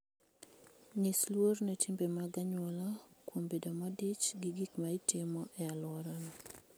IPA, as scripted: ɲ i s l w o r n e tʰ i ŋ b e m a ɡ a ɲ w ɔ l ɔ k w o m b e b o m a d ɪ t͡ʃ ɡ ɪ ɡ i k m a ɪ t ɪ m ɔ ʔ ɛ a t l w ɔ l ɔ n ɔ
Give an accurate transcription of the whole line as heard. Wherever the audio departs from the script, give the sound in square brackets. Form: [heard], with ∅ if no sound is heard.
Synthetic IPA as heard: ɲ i s l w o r n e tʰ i [m] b e m a ɡ a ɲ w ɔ l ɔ k w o m b e [d] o m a d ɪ t͡ʃ ɡ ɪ ɡ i k m a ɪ t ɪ m ɔ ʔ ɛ a [∅] l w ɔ [ɾ] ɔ n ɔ

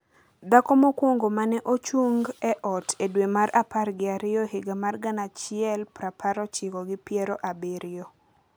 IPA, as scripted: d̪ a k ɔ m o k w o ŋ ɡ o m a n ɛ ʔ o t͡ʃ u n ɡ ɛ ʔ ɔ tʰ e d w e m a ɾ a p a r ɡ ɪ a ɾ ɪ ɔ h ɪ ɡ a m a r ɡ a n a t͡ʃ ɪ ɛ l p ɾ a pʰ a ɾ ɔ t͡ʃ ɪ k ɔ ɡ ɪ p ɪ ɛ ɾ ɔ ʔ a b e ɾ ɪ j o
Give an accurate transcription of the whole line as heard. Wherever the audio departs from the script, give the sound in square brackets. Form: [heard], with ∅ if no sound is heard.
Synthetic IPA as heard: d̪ a k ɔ m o k w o ŋ ɡ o m a n ɛ ʔ o t͡ʃ u [ŋ] ɡ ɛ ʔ ɔ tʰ e d w e m a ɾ a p a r ɡ ɪ a ɾ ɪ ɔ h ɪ ɡ a m a r ɡ a n a t͡ʃ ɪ ɛ l p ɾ a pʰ a ɾ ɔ t͡ʃ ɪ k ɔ ɡ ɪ p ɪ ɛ ɾ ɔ ʔ a b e ɾ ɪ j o

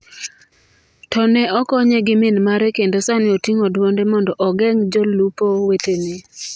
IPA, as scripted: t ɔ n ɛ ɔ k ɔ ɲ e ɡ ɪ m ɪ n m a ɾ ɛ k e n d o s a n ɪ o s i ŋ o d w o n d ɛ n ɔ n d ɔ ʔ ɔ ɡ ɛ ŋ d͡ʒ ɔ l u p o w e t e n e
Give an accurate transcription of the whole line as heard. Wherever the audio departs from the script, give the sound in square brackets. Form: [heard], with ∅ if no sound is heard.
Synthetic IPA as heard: t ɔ n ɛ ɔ k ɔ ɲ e ɡ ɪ m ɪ n m a ɾ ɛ k e n d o s a n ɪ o [t] i ŋ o d w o n d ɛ [m] ɔ n d ɔ ʔ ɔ ɡ ɛ ŋ d͡ʒ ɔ l u p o w e t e n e

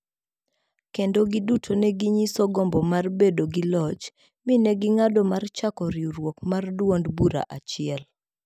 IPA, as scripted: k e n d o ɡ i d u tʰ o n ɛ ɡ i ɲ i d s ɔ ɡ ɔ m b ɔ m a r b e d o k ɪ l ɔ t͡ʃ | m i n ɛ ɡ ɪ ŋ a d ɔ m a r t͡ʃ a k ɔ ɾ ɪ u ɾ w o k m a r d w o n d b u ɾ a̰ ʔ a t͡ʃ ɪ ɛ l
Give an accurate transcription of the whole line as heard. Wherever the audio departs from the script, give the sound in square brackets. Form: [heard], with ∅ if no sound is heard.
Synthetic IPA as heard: k e n d o ɡ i d u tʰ o n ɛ ɡ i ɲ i [∅] s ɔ ɡ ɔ m b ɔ m a r b e d o [ɡ] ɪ l ɔ t͡ʃ | m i n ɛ ɡ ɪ ŋ a d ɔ m a r t͡ʃ a k ɔ ɾ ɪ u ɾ w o k m a r d w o n d b u ɾ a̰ ʔ a t͡ʃ ɪ ɛ l

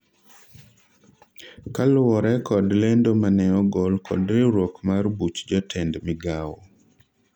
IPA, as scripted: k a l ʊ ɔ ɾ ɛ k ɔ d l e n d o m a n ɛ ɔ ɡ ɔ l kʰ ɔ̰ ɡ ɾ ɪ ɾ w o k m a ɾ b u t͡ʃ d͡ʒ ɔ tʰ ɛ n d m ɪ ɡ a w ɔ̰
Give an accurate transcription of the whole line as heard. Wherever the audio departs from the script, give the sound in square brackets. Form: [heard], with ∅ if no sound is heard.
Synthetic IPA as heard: k a l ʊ ɔ ɾ ɛ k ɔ d l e n d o m a n ɛ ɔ ɡ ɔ l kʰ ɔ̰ [d] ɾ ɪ ɾ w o k m a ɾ b u t͡ʃ d͡ʒ ɔ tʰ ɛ n d m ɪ ɡ a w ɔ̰

